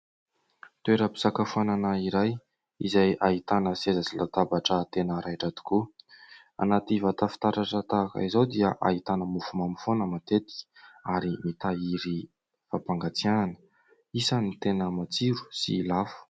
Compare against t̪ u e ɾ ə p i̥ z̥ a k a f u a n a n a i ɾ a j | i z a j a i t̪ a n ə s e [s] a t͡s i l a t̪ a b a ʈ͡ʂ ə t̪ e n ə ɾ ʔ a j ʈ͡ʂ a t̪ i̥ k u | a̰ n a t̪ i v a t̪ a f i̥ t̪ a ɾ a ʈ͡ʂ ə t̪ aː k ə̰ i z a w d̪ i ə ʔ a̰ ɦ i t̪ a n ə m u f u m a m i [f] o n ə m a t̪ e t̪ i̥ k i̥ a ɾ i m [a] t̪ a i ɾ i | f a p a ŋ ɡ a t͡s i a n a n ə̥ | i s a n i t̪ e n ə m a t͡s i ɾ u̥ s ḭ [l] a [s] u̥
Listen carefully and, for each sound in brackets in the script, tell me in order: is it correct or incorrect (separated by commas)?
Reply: incorrect, correct, incorrect, correct, incorrect